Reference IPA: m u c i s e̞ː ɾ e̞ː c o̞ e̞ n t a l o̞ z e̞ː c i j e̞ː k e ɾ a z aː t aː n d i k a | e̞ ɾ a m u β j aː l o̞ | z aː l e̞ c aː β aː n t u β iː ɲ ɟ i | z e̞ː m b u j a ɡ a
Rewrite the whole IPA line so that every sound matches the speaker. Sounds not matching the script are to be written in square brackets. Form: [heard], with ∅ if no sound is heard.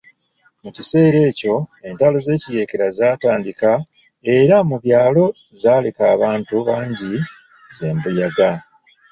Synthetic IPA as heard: m u c i s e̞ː ɾ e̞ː c o̞ e̞ n t a l o̞ z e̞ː c i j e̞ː k e ɾ a z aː t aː n d i k a | e̞ ɾ a m u β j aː l o̞ | z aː l e̞ [k] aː β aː n t u β [aː] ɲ ɟ i | z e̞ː m b u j a ɡ a

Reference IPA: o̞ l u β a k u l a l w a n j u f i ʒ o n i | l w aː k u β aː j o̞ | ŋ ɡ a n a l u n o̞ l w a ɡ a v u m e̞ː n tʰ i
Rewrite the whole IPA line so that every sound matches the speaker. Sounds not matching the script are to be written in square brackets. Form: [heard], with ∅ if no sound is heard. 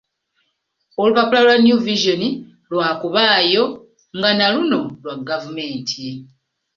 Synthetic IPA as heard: o̞ l u β a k u l a l w a n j u [v] i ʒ o n i | l w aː k u β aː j o̞ | ŋ ɡ a n a l u n o̞ l w a ɡ a v u m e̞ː n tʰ i

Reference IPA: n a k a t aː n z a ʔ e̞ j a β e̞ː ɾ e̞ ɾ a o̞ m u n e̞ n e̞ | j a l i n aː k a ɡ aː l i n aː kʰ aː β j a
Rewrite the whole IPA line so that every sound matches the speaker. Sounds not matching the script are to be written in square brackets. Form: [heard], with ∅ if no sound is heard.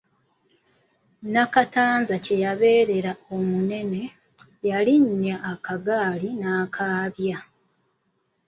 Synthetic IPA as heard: n a k a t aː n z a [c] e̞ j a β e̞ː ɾ e̞ ɾ a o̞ m u n e̞ n e̞ | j a l i [ɲ] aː k a ɡ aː l i n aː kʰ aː β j a

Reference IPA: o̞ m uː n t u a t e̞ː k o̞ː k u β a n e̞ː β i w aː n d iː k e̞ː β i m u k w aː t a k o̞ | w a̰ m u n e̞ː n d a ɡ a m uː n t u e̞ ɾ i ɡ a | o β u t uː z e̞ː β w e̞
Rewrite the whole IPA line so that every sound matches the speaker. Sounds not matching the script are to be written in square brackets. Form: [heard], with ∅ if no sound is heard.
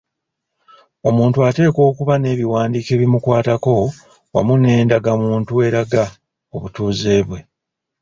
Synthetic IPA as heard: o̞ m uː n t u a t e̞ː k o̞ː k u β a n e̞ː β i w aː n d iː k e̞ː β i m u k w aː t a k o̞ | w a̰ m u n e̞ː n d a ɡ a m uː n t u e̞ ɾ [a] ɡ a | o β u t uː z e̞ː β w e̞

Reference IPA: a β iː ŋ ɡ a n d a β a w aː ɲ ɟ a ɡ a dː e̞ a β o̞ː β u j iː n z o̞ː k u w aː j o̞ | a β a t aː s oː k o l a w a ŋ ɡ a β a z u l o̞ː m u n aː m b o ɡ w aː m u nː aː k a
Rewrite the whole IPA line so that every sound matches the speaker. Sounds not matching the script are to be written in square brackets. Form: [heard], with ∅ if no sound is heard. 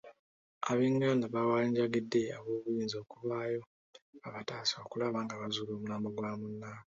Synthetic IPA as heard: a β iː ŋ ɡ a n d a β a w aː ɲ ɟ a ɡ [i] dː e̞ a β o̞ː β u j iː n z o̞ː k u [β] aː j o̞ | a β a t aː s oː k [u] l a [β] a ŋ ɡ a β a z u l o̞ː m u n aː m b o ɡ w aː m u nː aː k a

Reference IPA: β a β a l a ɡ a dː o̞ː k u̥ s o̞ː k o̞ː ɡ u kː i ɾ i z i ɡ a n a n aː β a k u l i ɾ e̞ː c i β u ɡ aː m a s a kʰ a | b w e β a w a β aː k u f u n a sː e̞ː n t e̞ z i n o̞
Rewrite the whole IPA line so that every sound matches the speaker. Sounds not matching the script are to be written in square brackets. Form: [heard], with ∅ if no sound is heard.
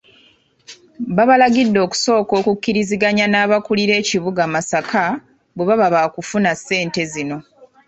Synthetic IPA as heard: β a β a l a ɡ [i] dː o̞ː k u̥ s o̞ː k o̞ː [k] u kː i ɾ i z i ɡ a [ɲ] a n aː β a k u l i ɾ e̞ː c i β u ɡ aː m a s a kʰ a | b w e β a [β] a β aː k u f u n a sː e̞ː n t e̞ z i n o̞

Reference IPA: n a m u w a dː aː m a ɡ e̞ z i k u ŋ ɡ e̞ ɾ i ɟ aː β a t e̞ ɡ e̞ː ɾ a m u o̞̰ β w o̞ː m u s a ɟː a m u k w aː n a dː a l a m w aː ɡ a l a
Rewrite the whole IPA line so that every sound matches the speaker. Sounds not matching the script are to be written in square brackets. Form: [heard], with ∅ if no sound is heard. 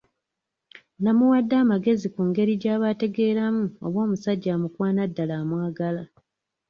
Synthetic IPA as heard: n a m u w a dː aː m a ɡ e̞ z i k u ŋ ɡ e̞ ɾ i ɟ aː β a t e̞ ɡ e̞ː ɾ a m u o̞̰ β w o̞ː m u s a ɟː a m u k w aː n a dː a l a m w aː ɡ a l a

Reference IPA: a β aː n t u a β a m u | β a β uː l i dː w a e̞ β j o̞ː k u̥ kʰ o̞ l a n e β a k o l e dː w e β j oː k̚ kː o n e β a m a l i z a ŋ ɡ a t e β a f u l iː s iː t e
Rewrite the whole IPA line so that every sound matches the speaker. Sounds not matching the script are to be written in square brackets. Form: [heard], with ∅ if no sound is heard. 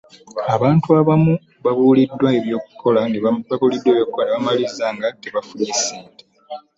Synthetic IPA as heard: a β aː n t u a β a m u | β a β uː l i dː w a e̞ β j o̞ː k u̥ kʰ o̞ l a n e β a k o l [i] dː w e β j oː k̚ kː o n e β a m a l i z a ŋ ɡ a t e β a f u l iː s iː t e

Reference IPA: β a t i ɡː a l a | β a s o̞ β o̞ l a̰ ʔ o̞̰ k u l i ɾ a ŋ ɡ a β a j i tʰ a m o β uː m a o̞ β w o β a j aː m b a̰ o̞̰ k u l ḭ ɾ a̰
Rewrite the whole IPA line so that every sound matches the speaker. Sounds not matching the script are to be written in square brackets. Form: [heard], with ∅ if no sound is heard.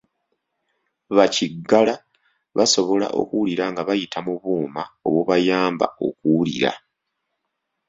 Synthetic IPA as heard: β a [c] i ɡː a l a | β a s o̞ β o̞ l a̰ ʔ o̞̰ k u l i ɾ a ŋ ɡ a β a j i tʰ a m [u] β uː m a o̞ β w o β a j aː m b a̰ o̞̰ k u l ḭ ɾ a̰

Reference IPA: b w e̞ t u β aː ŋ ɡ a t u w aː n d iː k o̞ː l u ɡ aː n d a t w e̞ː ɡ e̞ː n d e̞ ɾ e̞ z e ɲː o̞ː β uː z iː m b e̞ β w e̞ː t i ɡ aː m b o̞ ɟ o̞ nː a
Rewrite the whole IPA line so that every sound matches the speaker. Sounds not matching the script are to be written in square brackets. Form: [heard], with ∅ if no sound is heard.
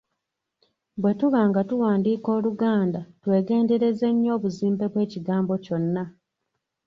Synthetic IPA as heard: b w e̞ t u β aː ŋ ɡ a t u w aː n d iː k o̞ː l u ɡ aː n d a t w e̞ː ɡ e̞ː n d e̞ ɾ e̞ z e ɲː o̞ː β [u] z iː m b e̞ β w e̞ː [c] i ɡ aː m b o̞ [c] o̞ nː a

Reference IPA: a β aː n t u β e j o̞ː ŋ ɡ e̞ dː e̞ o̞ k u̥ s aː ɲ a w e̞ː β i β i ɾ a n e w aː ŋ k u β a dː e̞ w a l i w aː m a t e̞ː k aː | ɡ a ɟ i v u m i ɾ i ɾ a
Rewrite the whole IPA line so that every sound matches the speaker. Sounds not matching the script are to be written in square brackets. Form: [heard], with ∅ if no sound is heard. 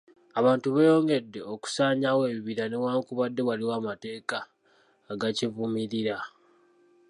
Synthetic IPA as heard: a β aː n t u β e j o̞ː ŋ ɡ e̞ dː e̞ o̞ k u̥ s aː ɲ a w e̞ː β i β i ɾ a n e w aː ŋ k u β a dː e̞ w a l i w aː m a t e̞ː k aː | ɡ a [c] i v u m i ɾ i ɾ a

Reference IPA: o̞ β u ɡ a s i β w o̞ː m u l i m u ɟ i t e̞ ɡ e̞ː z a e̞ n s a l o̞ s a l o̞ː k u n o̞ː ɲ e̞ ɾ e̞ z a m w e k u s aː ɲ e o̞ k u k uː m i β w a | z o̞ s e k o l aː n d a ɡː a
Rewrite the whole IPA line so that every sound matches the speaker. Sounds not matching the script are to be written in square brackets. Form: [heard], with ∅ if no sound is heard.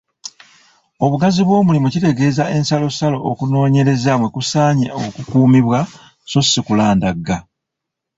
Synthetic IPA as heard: o̞ β u ɡ a [z] i β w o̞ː m u l i m u [c] i t e̞ ɡ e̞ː z a e̞ n s a l o̞ s a l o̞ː k u n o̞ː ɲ e̞ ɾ e̞ z a m w e k u s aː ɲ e o̞ k u k uː m i β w a | [s] o̞ s [i] k [u] l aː n d a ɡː a

